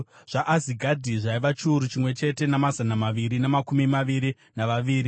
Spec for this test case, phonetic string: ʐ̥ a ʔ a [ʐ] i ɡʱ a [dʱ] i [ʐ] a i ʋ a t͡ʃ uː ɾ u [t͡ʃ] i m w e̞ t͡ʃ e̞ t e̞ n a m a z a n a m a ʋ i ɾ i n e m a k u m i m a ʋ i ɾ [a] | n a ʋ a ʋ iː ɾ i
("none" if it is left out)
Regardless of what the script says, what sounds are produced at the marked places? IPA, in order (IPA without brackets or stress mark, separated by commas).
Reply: z, dʱ, ʐ, t͡ʃ, i